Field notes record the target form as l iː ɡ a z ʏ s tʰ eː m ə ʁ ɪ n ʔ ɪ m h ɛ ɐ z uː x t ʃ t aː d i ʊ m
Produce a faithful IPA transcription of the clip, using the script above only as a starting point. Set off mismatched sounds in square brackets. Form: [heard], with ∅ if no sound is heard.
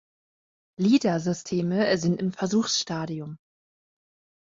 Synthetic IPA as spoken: l iː [d] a z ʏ s tʰ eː m ə [z] ɪ n [t] ɪ m [f] ɛ ɐ z uː x [s] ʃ t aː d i ʊ m